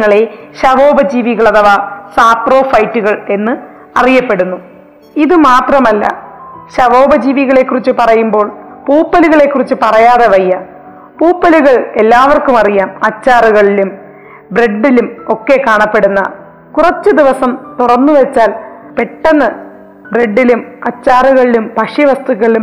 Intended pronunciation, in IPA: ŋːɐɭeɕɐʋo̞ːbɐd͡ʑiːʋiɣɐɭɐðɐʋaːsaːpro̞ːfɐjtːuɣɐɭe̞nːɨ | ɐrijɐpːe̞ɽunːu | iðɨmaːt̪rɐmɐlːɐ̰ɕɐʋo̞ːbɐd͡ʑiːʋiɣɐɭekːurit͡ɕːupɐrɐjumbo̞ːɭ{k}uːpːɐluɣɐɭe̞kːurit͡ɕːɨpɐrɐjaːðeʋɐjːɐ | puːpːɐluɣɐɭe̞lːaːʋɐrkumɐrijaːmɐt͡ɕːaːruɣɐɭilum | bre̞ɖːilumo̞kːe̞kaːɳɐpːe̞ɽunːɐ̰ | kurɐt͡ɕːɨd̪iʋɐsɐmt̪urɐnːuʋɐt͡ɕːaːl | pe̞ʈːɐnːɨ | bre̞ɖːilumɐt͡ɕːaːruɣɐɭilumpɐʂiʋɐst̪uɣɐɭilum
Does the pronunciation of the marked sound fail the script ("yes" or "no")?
yes